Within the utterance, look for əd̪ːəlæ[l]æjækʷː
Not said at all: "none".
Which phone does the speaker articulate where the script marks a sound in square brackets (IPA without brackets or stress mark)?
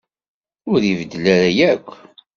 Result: ɾ